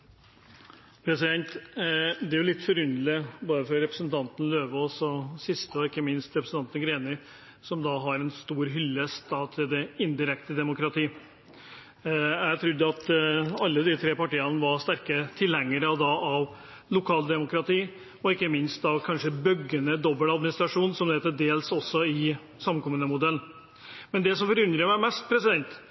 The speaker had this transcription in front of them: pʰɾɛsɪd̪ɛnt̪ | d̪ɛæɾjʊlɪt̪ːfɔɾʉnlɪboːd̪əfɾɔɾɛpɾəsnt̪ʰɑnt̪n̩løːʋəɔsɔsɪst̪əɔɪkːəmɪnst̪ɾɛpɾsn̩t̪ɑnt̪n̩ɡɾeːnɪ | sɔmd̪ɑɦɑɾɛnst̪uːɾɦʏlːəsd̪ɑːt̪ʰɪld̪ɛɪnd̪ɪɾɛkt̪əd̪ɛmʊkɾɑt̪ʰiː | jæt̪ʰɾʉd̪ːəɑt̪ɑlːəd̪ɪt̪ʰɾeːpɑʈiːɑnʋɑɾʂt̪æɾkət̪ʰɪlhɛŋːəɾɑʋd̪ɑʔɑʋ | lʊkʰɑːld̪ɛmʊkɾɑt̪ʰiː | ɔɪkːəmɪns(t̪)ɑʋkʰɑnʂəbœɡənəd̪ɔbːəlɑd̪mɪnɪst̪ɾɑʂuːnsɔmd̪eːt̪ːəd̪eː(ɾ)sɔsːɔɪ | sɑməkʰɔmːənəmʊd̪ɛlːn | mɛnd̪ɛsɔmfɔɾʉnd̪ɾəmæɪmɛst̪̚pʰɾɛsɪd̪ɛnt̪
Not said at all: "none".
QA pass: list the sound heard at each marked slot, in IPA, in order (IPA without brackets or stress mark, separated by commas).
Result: t̪, l